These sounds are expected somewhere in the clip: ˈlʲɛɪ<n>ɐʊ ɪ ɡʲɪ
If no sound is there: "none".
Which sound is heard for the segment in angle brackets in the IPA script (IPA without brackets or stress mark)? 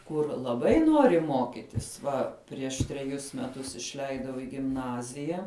d